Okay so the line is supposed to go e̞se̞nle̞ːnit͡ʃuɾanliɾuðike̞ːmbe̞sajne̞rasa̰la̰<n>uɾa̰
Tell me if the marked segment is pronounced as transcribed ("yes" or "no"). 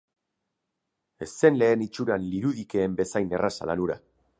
yes